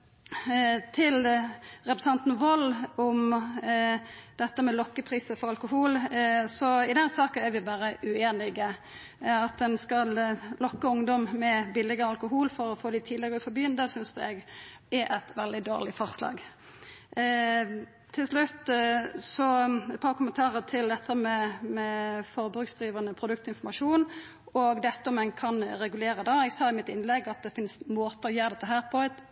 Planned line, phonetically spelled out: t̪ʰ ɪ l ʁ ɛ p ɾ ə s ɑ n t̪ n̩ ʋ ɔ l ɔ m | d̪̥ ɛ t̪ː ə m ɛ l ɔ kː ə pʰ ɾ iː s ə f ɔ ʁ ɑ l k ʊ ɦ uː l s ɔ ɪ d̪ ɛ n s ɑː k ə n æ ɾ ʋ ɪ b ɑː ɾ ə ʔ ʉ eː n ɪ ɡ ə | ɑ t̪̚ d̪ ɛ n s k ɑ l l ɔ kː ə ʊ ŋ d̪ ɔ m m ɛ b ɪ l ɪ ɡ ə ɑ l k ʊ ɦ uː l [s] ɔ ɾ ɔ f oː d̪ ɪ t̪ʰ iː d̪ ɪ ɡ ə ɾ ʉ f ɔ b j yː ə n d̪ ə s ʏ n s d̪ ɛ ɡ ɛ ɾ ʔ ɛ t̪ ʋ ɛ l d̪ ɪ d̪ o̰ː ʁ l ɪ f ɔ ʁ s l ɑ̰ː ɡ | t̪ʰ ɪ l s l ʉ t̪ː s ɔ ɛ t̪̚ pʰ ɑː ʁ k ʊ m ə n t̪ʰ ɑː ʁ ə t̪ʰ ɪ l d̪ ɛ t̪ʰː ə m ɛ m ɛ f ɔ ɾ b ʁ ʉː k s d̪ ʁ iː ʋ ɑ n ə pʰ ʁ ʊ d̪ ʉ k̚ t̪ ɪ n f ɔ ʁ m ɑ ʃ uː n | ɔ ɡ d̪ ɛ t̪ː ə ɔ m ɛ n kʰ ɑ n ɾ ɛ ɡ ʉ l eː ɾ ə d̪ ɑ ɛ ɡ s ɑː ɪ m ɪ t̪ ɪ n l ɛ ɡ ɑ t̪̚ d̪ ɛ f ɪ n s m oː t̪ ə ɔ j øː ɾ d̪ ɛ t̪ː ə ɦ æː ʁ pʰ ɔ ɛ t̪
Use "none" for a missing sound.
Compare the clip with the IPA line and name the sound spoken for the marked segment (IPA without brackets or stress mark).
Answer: f